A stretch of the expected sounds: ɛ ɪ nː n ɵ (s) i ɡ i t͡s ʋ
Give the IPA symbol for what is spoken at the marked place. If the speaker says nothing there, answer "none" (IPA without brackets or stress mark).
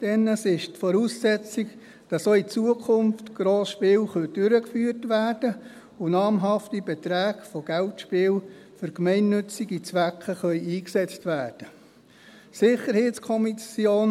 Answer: t͡s